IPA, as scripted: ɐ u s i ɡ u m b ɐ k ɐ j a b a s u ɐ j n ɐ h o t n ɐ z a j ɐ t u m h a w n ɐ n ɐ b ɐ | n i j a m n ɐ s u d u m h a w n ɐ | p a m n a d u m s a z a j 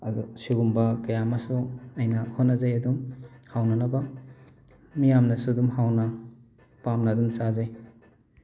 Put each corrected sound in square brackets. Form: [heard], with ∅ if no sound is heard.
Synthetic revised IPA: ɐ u s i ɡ u m b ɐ k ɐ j a [m] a s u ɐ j n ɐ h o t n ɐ z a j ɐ [d] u m h a w n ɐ n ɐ b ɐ | [m] i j a m n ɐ s u d u m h a w n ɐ | p a m n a d u m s a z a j

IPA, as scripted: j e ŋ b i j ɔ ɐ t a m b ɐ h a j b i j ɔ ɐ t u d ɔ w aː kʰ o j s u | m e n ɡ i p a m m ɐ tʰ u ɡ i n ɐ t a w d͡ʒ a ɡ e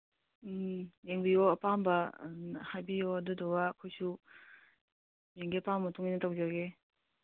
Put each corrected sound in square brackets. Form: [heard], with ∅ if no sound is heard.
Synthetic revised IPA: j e ŋ b i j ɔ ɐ [p] a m b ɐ h a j b i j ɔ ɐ [d] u d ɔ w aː kʰ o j s u | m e [ŋ] ɡ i p a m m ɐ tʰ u [ŋ] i n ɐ t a w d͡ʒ a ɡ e

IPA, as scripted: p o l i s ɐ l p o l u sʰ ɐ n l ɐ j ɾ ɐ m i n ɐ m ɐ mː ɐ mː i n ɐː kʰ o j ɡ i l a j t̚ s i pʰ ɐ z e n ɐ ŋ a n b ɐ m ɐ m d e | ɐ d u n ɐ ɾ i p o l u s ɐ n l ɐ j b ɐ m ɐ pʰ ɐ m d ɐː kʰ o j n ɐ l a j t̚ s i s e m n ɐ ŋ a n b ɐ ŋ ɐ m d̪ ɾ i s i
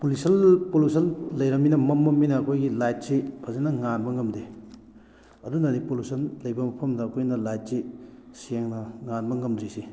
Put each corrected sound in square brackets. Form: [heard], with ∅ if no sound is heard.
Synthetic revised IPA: p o l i s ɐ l p o l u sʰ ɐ n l ɐ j ɾ ɐ m i n ɐ m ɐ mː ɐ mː i n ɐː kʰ o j ɡ i l a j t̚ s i pʰ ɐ z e n ɐ ŋ a n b ɐ [ŋ] ɐ m d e | ɐ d u n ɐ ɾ i p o l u s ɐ n l ɐ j b ɐ m ɐ pʰ ɐ m d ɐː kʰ o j n ɐ l a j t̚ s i s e [ŋ] n ɐ ŋ a n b ɐ ŋ ɐ m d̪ ɾ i s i

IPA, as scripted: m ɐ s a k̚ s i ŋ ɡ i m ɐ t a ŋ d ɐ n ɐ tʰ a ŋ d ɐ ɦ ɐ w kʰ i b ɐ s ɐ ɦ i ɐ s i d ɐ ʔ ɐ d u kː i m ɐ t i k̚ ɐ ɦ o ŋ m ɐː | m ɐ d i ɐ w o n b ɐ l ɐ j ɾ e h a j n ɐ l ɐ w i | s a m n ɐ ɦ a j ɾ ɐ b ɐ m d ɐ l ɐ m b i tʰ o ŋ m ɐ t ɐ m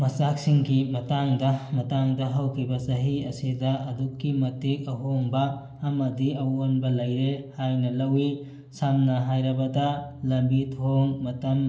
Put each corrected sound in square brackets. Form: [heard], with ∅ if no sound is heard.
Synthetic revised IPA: m ɐ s a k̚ s i ŋ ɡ i m ɐ t a ŋ d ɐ [m] ɐ [t] a ŋ d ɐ ɦ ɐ w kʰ i b ɐ s ɐ ɦ i ɐ s i d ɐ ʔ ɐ d u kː i m ɐ t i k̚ ɐ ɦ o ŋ [b] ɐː | m ɐ d i ɐ w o n b ɐ l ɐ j ɾ e h a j n ɐ l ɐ w i | s a m n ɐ ɦ a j ɾ ɐ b ɐ [∅] d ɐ l ɐ m b i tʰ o ŋ m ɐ t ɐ m

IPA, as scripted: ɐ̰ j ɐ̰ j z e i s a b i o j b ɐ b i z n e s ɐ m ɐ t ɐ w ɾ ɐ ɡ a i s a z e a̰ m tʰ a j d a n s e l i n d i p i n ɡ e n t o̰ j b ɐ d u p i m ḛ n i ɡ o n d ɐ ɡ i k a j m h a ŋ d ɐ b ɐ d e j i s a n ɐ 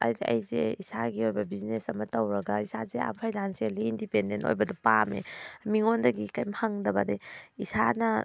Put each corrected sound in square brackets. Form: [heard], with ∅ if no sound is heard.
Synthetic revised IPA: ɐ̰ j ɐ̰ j z e i s a [ɡ] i o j b ɐ b i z n e s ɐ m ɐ t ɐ w ɾ ɐ ɡ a i s a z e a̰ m [pʰ] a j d a n s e l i n d i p [e] n [d] e n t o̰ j b ɐ d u p [a] m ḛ [m] i [ŋ] o n d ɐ ɡ i k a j m h a ŋ d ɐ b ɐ d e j i s a n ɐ

